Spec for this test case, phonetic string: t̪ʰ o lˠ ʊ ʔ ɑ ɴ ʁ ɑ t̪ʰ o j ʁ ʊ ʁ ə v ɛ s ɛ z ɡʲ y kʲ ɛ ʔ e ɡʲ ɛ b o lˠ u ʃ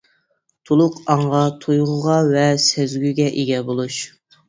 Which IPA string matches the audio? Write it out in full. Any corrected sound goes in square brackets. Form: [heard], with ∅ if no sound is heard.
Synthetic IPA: t̪ʰ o lˠ ʊ [q] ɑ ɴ ʁ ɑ t̪ʰ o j ʁ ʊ ʁ [ɑ] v ɛ s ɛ z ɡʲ y [ɡʲ] ɛ ʔ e ɡʲ ɛ b o lˠ u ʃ

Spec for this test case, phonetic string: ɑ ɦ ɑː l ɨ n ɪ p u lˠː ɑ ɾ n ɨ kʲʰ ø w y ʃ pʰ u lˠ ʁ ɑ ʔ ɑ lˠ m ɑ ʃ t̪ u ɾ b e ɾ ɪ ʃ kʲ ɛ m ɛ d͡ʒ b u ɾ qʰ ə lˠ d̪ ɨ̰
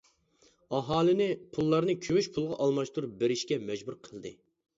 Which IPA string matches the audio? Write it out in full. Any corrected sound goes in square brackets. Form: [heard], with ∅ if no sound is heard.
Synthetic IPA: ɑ ɦ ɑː l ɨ n ɪ [pʰ] u lˠː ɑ ɾ n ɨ kʲʰ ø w y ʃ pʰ u lˠ ʁ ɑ ʔ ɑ lˠ m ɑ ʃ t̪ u ɾ b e ɾ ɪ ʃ kʲ ɛ m ɛ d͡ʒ b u ɾ qʰ ə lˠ d̪ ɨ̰

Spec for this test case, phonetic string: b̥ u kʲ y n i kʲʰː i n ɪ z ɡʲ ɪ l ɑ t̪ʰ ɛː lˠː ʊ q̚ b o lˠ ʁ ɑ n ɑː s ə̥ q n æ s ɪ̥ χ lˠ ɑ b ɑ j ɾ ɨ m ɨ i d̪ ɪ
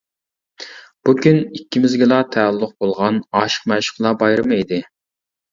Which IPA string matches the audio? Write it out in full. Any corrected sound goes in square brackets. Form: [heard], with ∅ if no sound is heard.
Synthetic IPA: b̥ u kʲ y n i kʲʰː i [m] ɪ z ɡʲ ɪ l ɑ t̪ʰ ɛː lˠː ʊ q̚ b o lˠ ʁ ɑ n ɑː [ʃ] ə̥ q [m] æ [ʃ] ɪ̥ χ lˠ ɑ b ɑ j ɾ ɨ m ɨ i d̪ ɪ

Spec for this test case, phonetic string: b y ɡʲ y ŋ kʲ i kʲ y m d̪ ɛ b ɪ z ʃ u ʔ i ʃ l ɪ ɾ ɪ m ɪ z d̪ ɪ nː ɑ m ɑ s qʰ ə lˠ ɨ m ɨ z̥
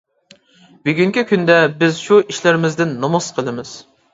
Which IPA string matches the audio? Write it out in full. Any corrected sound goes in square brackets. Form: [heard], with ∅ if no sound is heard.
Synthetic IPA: b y ɡʲ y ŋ kʲ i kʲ y [n] d̪ ɛ b ɪ z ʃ u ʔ i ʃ l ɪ ɾ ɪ m ɪ z d̪ ɪ nː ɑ m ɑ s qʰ ə lˠ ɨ m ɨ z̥

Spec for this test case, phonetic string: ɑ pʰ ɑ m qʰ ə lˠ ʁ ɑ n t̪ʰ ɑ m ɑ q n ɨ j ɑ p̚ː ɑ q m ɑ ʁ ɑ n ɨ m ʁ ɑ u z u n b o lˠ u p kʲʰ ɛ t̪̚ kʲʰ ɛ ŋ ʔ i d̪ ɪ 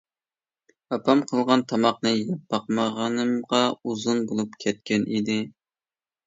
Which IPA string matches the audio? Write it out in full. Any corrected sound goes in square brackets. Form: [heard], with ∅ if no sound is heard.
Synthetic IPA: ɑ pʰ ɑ m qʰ ə lˠ ʁ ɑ n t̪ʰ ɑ m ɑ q n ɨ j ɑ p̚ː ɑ q m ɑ ʁ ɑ n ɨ m ʁ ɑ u z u n b o lˠ u p kʲʰ ɛ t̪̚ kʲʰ ɛ [n] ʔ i d̪ ɪ

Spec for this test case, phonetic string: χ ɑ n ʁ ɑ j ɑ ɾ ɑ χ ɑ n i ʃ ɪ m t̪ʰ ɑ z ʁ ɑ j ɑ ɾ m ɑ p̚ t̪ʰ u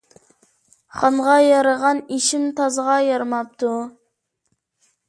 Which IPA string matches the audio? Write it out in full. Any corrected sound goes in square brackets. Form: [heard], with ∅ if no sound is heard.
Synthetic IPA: χ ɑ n ʁ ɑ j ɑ ɾ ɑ [ʁ] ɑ n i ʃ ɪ m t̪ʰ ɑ z ʁ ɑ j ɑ ɾ m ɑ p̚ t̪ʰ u

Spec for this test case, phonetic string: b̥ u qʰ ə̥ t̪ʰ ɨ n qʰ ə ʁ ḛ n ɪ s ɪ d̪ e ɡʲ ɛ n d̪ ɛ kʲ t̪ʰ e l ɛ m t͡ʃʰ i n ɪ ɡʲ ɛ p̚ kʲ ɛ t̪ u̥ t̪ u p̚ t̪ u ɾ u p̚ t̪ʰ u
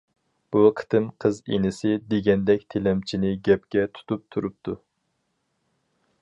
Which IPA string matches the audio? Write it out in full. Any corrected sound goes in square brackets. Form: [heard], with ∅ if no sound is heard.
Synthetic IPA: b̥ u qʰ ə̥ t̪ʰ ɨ [m] qʰ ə [z] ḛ n ɪ s ɪ d̪ e ɡʲ ɛ n d̪ ɛ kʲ t̪ʰ e l ɛ m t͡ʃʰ i n ɪ ɡʲ ɛ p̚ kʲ ɛ [t̪ʰ] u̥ t̪ u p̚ [t̪ʰ] u ɾ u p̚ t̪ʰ u

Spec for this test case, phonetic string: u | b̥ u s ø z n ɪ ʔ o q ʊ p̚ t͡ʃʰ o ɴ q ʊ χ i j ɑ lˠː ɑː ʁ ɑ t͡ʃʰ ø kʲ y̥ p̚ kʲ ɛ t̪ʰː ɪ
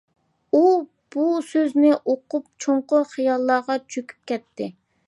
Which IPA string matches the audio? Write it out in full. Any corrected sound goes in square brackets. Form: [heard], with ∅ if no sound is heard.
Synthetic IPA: u | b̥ u s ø z n ɪ ʔ o q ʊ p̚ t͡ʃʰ o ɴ q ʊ χ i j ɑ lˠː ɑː ʁ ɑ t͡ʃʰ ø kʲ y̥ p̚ kʲ ɛ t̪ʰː ɪ

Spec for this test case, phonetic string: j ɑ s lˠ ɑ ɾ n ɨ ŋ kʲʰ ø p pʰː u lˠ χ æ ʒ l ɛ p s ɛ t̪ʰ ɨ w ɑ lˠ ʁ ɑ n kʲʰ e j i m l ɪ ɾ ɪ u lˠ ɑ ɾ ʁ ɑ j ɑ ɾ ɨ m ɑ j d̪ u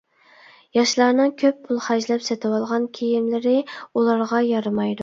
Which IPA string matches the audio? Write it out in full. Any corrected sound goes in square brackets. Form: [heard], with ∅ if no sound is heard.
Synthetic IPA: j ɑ [ʃ] lˠ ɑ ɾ n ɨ ŋ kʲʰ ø p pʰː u lˠ χ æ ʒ l ɛ p s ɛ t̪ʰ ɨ w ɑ lˠ ʁ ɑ n kʲʰ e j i m l ɪ ɾ ɪ u lˠ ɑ ɾ ʁ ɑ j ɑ ɾ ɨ m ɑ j d̪ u

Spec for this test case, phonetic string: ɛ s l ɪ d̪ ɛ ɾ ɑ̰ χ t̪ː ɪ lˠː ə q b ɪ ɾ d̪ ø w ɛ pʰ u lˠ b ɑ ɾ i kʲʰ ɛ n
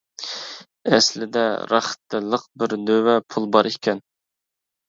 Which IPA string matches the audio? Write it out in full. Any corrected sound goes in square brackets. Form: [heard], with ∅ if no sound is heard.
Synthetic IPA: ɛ s l ɪ d̪ ɛ ɾ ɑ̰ χ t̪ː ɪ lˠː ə q b ɪ ɾ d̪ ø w ɛ pʰ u lˠ b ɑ ɾ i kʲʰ ɛ n

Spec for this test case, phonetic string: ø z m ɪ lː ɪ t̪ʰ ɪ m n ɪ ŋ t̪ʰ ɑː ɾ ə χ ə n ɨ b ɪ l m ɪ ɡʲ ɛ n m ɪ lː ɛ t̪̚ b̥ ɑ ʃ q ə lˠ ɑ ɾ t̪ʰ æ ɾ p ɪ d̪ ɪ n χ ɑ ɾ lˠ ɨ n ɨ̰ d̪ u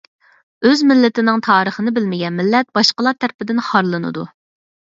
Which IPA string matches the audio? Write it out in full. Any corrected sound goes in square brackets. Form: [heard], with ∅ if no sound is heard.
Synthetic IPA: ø z m ɪ lː ɪ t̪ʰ ɪ [∅] n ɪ ŋ t̪ʰ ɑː ɾ ə χ ə n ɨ b ɪ l m ɪ ɡʲ ɛ n m ɪ lː ɛ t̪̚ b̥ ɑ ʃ q ə lˠ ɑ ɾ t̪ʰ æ ɾ p ɪ d̪ ɪ n χ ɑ ɾ lˠ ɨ n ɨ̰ d̪ u

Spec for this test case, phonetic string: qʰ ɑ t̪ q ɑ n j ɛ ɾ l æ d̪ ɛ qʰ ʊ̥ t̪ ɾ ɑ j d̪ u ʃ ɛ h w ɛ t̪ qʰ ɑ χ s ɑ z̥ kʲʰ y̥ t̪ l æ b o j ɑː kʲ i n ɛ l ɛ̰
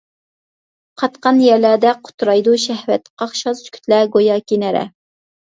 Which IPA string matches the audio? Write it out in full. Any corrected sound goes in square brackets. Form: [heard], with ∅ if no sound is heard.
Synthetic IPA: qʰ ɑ t̪ q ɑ n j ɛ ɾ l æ d̪ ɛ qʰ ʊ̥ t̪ ɾ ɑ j d̪ u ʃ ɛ h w ɛ t̪ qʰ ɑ χ [ʃ] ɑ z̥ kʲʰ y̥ t̪ l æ [ɡ] o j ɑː kʲ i n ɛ [ɾ] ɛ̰

